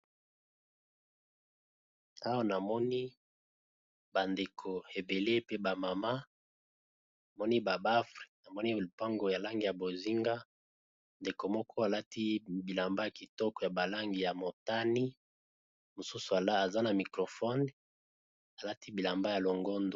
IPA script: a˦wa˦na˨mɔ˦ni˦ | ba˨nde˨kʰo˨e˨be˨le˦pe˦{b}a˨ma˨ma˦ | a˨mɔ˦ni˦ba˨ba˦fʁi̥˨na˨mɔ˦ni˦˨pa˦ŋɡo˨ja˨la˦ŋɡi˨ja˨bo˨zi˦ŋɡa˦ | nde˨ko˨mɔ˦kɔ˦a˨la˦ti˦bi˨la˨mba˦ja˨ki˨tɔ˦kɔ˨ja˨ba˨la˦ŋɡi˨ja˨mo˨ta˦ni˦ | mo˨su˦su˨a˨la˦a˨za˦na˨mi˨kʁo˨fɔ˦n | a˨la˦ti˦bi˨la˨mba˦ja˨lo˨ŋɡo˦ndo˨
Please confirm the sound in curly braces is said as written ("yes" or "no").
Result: yes